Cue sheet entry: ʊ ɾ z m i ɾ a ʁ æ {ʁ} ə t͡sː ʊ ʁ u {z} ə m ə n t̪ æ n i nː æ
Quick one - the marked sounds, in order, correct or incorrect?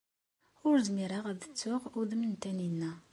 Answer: incorrect: ð, incorrect: ð

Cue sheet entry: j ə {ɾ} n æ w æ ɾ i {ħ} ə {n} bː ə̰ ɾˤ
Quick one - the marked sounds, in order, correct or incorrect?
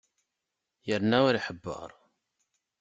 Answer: correct, correct, incorrect: none

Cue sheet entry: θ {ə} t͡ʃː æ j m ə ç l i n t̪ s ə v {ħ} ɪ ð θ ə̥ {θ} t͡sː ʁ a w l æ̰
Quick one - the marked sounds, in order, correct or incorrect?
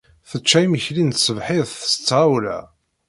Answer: correct, correct, incorrect: s

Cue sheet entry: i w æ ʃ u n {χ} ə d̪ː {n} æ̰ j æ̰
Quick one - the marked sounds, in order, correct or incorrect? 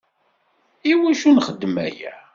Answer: correct, incorrect: m

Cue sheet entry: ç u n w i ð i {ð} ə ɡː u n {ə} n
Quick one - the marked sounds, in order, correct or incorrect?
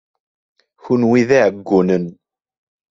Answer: incorrect: ʕ, correct

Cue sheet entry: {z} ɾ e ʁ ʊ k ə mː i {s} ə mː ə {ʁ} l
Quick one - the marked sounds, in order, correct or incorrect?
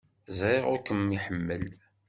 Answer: correct, incorrect: ħ, incorrect: none

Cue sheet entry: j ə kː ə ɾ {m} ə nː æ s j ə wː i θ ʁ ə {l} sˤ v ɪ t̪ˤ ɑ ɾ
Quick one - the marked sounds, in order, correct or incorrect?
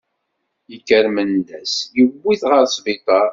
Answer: correct, incorrect: ɾ

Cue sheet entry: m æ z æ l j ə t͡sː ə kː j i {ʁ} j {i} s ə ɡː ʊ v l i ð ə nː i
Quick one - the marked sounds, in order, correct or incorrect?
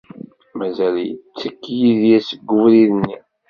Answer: incorrect: ð, incorrect: æ

